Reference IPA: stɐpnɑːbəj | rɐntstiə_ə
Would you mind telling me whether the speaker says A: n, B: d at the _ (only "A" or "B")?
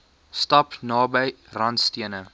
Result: A